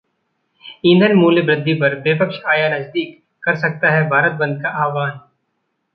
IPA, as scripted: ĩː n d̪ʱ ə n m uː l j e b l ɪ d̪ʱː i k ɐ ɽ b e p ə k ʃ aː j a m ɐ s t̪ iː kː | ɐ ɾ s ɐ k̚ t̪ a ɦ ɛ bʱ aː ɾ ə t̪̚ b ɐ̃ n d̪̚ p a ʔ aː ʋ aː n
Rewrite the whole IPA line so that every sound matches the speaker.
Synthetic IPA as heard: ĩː n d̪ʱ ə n m uː l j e b ɾ ɪ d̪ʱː i p ɐ ɾ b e p ə k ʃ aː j a n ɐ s d̪ iː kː | ɐ ɾ s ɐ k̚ t̪ a ɦ ɛ bʱ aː ɾ ə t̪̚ b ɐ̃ n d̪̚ k a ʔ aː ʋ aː n